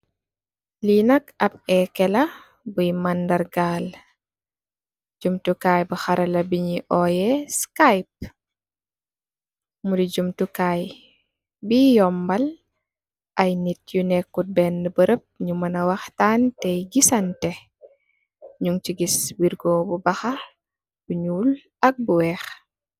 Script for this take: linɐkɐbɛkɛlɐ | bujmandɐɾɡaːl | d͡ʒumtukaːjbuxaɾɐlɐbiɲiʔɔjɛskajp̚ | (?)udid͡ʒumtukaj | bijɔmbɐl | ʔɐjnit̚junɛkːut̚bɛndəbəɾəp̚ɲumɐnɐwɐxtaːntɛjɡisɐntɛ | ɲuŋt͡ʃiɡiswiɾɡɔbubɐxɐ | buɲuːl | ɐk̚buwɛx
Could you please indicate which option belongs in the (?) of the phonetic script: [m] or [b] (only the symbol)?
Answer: m